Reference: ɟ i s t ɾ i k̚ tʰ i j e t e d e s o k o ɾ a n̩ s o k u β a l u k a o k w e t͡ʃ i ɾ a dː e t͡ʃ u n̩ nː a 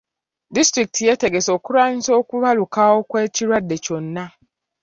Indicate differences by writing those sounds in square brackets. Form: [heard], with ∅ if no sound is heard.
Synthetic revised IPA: [d] i s t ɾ i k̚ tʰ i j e t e [ɡ] e s o k [u] ɾ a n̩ s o k u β a l u k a o k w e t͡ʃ i ɾ a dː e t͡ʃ [o] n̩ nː a